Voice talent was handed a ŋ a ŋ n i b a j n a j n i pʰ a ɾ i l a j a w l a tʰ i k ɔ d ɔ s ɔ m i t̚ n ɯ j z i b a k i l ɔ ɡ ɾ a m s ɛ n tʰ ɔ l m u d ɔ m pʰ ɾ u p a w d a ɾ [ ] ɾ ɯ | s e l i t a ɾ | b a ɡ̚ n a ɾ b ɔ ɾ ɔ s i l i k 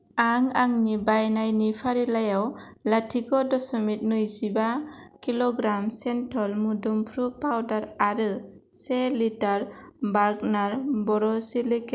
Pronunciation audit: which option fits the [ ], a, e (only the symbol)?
a